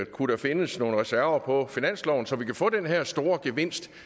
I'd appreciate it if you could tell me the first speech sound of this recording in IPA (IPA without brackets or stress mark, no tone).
kʰ